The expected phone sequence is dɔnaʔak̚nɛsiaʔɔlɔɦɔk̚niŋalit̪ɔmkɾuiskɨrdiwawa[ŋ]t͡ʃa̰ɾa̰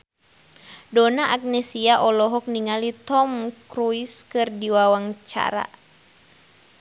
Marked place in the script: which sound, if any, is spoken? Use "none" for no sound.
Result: ŋ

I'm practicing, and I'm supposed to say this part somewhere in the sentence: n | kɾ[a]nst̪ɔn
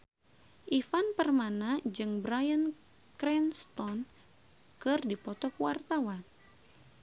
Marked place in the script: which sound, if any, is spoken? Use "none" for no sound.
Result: ɛ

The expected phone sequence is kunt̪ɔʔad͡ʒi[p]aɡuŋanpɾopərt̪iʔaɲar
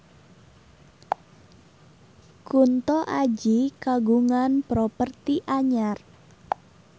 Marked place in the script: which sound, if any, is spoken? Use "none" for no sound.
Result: k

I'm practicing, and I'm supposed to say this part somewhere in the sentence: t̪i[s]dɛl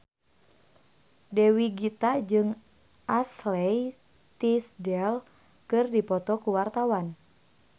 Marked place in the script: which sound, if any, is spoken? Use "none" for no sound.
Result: s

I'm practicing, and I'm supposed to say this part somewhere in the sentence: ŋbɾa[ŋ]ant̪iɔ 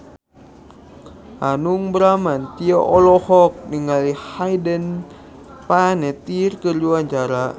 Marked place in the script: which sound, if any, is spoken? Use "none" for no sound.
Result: m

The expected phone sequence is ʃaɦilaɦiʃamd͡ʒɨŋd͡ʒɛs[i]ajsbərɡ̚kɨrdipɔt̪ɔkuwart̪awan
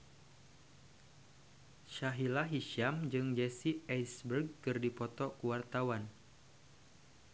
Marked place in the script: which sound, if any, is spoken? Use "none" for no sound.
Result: i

